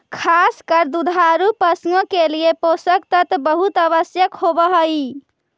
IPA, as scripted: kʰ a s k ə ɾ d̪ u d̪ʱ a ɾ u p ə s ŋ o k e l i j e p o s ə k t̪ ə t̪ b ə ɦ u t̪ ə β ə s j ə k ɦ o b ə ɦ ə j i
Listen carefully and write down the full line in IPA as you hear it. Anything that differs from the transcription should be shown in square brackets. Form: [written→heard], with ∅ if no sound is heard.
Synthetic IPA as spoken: kʰ a s k ə ɾ d̪ u d̪ʱ a ɾ u p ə s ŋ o k e l i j e p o s ə k t̪ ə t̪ b ə ɦ u t̪ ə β ə s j ə k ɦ o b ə ɦ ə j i